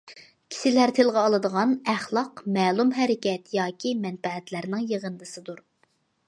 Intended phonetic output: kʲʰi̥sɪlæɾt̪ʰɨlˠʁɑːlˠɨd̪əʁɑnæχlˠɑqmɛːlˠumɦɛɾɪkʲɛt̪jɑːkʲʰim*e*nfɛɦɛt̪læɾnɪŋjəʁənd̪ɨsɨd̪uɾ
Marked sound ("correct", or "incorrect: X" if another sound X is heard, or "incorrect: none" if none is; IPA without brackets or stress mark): incorrect: ɛ